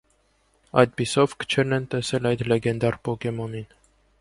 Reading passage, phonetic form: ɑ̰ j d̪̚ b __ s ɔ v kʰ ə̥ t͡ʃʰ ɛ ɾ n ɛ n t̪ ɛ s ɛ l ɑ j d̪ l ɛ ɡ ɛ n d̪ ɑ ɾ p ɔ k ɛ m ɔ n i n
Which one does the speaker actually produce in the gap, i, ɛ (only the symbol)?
i